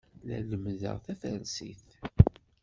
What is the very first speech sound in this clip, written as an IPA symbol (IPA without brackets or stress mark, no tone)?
l